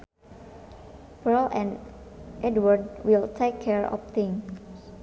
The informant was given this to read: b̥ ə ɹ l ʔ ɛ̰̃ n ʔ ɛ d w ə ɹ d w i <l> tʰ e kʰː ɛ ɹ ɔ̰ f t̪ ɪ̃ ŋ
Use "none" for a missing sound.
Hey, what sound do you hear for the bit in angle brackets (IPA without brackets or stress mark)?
l